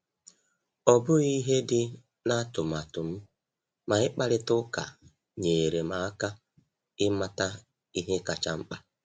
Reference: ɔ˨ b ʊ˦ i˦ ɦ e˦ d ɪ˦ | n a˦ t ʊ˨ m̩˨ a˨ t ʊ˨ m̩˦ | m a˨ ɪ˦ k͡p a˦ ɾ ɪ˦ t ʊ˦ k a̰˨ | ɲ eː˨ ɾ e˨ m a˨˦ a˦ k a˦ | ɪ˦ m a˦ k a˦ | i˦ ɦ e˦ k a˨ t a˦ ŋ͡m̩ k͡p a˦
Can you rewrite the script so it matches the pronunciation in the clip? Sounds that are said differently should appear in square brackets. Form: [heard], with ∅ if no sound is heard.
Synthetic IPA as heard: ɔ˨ b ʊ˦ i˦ ɦ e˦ d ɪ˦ | n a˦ t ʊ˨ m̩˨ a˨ t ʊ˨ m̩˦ | m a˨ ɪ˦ k͡p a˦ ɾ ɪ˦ t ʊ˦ k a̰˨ | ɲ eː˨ ɾ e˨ m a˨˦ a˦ k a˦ | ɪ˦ m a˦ [t] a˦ | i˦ ɦ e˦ k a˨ [t͡ʃ] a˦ ŋ͡m̩ k͡p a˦